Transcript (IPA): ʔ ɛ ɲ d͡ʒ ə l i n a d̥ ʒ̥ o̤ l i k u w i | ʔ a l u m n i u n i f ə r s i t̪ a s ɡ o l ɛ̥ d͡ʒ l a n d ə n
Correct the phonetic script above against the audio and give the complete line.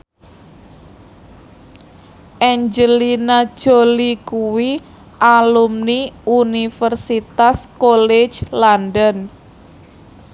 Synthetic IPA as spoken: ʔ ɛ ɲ d͡ʒ ə l i n a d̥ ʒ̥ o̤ l i k u w i | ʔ a l u m n i u n i f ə r s i t̪ a s k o l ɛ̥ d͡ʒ l a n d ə n